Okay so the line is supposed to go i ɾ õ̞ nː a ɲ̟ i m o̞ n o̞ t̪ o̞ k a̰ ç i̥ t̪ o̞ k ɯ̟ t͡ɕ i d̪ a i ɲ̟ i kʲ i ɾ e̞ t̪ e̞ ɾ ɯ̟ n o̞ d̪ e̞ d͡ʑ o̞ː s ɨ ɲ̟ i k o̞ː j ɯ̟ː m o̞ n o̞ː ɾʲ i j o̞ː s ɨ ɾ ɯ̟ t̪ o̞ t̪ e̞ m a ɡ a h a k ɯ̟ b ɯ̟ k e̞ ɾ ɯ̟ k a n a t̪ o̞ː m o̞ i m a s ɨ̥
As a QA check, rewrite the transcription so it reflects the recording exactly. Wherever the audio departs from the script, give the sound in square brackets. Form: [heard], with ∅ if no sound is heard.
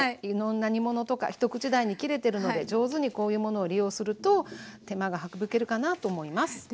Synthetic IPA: i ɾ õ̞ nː a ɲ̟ i m o̞ n o̞ t̪ o̞ k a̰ ç i̥ t̪ o̞ k ɯ̟ t͡ɕ i d̪ a i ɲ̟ i kʲ i ɾ e̞ t̪ e̞ ɾ ɯ̟ n o̞ d̪ e̞ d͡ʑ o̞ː [z] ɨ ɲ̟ i k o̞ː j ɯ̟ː m o̞ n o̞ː ɾʲ i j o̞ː s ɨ ɾ ɯ̟ t̪ o̞ t̪ e̞ m a ɡ a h a k ɯ̟ b ɯ̟ k e̞ ɾ ɯ̟ k a n a t̪ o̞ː m o̞ i m a s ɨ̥